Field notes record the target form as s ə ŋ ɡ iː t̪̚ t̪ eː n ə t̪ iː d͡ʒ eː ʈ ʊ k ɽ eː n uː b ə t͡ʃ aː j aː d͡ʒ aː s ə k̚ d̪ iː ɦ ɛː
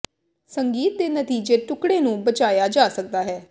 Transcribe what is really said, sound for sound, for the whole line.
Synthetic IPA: s ə ŋ ɡ iː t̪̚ d̪ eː n ə t̪ iː d͡ʒ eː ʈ ʊ k ɽ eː n ũː b ə t͡ʃ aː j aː d͡ʒ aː s ə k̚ d̪ aː ɦ ɛː